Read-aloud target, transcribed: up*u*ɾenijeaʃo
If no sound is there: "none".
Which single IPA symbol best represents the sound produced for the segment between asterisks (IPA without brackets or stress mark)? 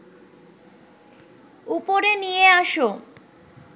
o